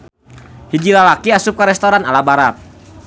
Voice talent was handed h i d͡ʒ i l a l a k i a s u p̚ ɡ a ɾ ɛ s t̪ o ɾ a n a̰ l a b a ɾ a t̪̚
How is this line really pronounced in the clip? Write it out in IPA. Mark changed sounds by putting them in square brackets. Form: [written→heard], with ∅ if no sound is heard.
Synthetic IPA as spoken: h i d͡ʒ i l a l a k i a s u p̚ [ɡ→k] a ɾ ɛ s t̪ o ɾ a n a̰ l a b a ɾ a t̪̚